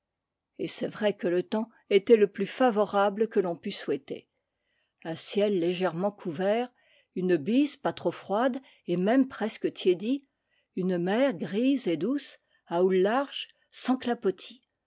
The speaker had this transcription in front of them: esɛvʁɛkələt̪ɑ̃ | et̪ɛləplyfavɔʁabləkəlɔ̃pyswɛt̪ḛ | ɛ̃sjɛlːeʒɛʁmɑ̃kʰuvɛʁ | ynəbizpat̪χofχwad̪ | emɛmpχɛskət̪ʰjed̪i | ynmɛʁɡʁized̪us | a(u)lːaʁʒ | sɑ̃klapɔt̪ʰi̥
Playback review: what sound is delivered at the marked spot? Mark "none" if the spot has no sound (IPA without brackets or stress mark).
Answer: u